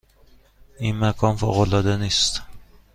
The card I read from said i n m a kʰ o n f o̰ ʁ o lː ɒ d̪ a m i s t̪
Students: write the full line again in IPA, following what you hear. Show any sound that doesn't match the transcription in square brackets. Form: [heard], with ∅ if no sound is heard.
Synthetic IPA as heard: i n m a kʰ [ɒ] n f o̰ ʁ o [l] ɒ d̪ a [n] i s t̪

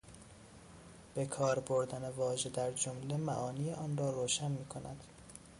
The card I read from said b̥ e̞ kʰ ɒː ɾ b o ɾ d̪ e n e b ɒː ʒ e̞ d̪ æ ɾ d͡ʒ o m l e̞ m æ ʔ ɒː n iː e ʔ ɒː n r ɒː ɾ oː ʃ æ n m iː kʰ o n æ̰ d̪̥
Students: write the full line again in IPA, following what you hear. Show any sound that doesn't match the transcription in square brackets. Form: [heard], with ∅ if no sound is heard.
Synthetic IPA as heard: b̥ e̞ kʰ ɒː ɾ b o ɾ d̪ [æ] n e [v] ɒː ʒ e̞ d̪ æ ɾ d͡ʒ o m l e̞ m æ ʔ ɒː n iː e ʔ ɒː n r ɒː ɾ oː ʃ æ n m iː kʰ o n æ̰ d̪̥

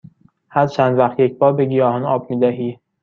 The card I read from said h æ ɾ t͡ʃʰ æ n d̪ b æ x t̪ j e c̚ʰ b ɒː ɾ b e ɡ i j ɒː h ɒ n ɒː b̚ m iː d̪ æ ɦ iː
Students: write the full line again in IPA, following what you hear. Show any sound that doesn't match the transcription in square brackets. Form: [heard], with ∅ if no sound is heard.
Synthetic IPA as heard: h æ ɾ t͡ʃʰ æ n d̪ [v] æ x t̪ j e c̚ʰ b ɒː ɾ b e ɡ i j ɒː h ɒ n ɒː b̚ m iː d̪ æ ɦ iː

